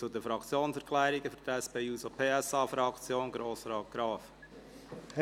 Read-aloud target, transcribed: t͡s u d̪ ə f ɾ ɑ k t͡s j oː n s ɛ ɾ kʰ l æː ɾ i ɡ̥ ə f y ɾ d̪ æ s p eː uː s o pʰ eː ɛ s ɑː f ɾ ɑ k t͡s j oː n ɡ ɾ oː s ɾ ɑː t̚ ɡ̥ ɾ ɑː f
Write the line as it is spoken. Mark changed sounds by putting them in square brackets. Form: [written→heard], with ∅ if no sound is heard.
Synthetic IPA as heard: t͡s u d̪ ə f ɾ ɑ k t͡s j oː n s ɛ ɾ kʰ l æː ɾ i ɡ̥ ə f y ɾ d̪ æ s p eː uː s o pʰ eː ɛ s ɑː f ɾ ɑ k t͡s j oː n ɡ ɾ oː s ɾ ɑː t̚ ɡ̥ ɾ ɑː f